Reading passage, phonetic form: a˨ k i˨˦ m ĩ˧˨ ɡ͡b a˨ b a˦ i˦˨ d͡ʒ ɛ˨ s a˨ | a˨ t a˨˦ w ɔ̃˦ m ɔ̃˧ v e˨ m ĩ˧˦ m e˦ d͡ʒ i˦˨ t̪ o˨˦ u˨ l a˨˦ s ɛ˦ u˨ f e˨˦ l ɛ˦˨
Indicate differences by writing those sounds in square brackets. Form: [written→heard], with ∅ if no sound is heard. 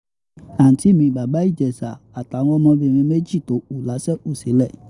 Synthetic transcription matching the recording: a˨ [k→t] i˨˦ m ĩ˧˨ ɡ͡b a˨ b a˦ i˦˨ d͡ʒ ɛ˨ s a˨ | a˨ t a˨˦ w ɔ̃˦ m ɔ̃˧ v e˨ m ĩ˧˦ m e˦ d͡ʒ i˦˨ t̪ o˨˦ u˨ l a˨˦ s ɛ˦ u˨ [f→s] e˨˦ l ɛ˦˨

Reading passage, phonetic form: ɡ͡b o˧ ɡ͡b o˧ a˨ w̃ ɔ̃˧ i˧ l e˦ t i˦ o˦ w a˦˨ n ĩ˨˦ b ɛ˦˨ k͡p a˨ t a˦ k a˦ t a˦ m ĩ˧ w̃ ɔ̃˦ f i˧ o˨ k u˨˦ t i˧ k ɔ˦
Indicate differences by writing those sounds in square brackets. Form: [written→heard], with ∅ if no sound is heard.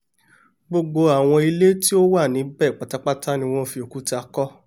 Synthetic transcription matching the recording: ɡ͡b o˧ ɡ͡b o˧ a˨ w̃ ɔ̃˧ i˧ l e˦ t i˦ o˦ w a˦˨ n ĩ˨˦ b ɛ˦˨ k͡p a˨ t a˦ [k→k͡p] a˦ t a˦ [m→n] ĩ˧ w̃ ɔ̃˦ f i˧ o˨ k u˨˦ t [i˧→a˧] k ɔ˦

